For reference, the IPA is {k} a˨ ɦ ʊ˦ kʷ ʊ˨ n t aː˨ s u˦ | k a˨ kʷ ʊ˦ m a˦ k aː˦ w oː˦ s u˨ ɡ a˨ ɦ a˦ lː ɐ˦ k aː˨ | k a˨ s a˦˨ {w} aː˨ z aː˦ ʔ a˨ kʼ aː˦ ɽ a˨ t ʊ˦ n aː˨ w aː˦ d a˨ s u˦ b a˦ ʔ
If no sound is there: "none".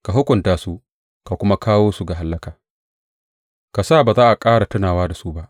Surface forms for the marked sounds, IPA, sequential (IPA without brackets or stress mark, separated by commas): k, b